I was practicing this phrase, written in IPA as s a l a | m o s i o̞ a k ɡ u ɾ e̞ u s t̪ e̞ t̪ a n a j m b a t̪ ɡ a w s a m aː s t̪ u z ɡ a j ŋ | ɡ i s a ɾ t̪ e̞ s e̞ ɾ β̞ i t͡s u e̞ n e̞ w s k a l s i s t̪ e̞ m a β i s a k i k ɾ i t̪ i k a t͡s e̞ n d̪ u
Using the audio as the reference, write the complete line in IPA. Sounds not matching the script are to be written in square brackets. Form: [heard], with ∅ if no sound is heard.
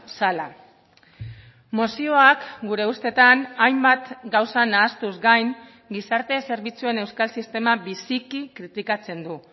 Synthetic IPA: s a l a | m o s i o̞ a k ɡ u ɾ e̞ u s t̪ e̞ t̪ a n a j m b a t̪ ɡ a w s a [n] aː s t̪ u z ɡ a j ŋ | ɡ i s a ɾ t̪ e̞ s e̞ ɾ β̞ i t͡s u e̞ n e̞ w s k a l s i s t̪ e̞ m a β i s [i] k i k ɾ i t̪ i k a t͡s e̞ n d̪ u